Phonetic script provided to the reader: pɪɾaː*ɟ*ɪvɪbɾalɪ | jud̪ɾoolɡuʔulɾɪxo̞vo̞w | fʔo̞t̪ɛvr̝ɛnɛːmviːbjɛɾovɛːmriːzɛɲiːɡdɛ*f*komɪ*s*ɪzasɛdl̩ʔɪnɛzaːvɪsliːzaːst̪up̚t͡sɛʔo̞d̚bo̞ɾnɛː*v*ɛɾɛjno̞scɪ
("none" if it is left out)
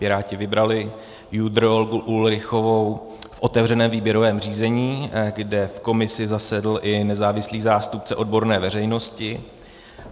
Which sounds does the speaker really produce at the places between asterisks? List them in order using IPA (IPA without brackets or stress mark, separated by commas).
c, f, s, v